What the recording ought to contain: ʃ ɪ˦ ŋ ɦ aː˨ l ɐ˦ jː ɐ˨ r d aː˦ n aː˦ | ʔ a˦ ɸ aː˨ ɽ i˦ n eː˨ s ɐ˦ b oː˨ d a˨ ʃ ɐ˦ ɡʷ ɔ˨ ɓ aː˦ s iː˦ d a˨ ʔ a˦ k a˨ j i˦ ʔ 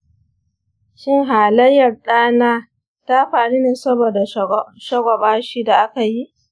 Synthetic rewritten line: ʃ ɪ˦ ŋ ɦ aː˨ l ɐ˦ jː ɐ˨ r ɗ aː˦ n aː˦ | t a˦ ɸ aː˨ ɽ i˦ n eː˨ s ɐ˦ b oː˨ d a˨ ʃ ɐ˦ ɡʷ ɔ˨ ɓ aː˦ ʃ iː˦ d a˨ ʔ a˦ k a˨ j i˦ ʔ

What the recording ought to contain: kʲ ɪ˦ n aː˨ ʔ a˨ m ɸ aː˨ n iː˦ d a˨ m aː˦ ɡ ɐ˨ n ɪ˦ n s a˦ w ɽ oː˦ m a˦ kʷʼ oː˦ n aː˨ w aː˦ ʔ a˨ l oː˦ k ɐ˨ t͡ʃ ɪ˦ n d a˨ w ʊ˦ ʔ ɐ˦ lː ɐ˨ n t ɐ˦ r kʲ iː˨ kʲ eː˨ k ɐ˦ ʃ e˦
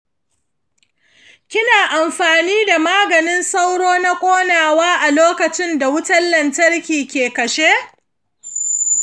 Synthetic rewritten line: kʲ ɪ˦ n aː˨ ʔ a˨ m ɸ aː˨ n iː˦ d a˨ m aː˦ ɡ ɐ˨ n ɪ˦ n s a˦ w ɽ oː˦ n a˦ kʷʼ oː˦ n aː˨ w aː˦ ʔ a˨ l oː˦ k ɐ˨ t͡ʃ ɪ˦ n d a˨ w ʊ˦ t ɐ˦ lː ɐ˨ n t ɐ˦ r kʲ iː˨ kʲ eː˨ k ɐ˨ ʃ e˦

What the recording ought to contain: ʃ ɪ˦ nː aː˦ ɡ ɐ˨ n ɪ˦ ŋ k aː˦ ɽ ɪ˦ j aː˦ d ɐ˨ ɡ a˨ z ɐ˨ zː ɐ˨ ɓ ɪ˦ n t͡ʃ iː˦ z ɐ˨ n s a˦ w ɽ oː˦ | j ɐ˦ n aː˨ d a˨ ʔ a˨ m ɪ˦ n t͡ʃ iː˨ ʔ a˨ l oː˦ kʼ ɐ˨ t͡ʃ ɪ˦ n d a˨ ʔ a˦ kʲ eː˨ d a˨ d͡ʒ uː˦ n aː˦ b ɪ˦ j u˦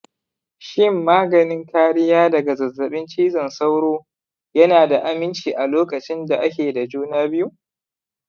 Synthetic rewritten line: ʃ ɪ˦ mː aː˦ ɡ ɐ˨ n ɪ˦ ŋ k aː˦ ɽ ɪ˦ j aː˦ d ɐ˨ ɡ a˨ z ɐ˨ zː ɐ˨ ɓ ɪ˦ n t͡ʃ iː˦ z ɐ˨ n s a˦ w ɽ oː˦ | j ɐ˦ n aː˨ d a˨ ʔ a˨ m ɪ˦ n t͡ʃ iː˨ ʔ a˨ l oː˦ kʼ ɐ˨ t͡ʃ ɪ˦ n d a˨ ʔ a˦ kʲ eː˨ d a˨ d͡ʒ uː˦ n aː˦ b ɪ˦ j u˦

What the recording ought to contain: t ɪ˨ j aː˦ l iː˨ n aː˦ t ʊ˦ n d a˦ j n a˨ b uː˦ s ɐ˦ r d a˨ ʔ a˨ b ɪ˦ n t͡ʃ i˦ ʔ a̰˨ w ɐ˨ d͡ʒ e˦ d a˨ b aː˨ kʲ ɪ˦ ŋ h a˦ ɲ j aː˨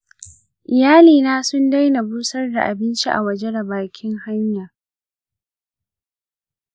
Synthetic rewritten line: ʔ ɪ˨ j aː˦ l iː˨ n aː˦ s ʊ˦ n d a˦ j n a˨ b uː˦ s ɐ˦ r d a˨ ʔ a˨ b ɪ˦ n t͡ʃ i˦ ʔ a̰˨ w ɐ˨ d͡ʒ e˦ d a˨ b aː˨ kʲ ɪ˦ ŋ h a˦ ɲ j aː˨

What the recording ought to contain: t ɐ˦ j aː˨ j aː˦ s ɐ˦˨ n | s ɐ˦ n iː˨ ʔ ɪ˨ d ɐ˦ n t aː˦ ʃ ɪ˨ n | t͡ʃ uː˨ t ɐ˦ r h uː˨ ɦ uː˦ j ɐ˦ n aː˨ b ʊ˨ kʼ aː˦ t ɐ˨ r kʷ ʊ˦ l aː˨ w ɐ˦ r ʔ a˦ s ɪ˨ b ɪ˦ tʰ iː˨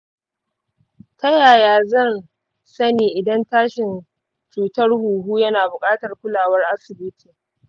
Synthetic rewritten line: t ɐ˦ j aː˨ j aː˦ z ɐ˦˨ n | s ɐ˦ n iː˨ ʔ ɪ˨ d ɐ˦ n t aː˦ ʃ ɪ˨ n | t͡ʃ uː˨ t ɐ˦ r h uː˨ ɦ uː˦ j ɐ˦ n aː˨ b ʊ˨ kʼ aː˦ t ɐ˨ r kʷ ʊ˦ l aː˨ w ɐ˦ r ʔ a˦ s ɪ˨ b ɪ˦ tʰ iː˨

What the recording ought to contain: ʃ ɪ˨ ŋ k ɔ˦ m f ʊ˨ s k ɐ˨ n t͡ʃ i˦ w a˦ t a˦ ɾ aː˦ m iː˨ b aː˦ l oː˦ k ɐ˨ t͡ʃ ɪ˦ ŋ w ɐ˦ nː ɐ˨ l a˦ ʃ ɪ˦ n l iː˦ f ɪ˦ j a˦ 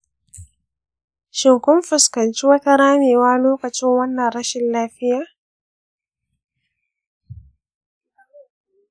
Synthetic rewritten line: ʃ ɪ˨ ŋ k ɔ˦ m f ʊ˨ s k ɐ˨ n t͡ʃ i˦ w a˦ t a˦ ɾ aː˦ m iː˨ w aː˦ l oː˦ k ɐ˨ t͡ʃ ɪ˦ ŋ w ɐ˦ nː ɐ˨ ɾ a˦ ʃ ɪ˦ n l aː˦ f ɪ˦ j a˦

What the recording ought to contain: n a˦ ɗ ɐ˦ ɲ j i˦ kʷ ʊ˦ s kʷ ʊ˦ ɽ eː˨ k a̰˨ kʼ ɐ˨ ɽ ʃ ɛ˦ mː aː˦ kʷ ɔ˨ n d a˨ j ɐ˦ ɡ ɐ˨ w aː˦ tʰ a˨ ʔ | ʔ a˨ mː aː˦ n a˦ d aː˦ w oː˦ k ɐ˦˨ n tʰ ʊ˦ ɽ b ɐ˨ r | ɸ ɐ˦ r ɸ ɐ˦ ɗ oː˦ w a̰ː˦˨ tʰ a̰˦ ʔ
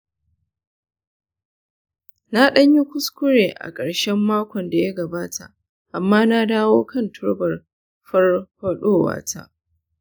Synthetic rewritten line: n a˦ ɗ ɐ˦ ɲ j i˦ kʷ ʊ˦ s kʷ ʊ˦ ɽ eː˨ ʔ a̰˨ kʼ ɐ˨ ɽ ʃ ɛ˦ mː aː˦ kʷ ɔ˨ n d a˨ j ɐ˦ ɡ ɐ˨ b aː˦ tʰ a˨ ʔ | ʔ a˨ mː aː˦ n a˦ d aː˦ w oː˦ k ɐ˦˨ n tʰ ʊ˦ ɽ b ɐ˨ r | ɸ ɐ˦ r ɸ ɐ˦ ɗ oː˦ w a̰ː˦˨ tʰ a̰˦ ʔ

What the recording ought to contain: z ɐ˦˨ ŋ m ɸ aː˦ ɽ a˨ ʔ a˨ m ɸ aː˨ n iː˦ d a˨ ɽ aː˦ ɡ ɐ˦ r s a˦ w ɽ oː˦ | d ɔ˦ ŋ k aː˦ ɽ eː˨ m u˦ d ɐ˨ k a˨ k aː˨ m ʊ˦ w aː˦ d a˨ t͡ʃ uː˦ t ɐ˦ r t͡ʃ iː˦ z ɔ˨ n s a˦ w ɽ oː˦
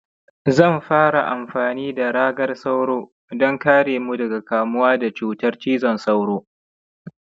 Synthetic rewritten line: z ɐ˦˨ m ɸ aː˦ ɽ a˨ ʔ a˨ m ɸ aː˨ n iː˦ d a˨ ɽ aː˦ ɡ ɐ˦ r s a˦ w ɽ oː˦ | d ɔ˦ ŋ k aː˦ ɽ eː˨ m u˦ d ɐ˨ ɡ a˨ k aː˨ m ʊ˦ w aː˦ d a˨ t͡ʃ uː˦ t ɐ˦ r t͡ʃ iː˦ z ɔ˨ n s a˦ w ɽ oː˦

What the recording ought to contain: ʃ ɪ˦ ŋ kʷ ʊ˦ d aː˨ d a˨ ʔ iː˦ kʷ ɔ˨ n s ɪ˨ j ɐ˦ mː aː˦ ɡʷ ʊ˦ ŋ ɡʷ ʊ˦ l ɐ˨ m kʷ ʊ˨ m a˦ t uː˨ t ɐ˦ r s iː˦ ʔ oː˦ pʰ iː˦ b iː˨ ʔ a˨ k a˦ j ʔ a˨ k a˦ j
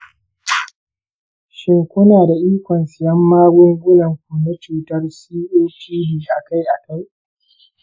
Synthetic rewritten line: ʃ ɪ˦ ŋ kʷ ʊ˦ n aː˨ d a˨ ʔ iː˦ kʷ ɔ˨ n s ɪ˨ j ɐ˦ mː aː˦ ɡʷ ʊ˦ ŋ ɡʷ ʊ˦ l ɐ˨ ŋ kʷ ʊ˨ n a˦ t͡ʃ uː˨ t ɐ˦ r s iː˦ ʔ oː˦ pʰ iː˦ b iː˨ ʔ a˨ k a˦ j ʔ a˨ k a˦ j

